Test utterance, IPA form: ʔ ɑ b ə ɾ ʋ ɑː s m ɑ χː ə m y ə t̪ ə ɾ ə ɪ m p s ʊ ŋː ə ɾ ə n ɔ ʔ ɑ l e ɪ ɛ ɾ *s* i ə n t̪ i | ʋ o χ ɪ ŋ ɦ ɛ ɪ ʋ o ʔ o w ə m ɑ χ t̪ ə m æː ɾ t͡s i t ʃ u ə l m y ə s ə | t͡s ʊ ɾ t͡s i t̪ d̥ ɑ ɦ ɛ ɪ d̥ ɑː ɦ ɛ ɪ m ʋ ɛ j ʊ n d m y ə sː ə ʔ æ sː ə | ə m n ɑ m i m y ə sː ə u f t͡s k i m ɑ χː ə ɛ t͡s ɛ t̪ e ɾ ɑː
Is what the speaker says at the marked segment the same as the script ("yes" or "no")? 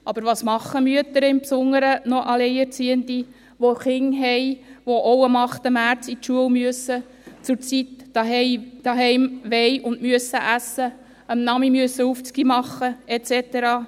no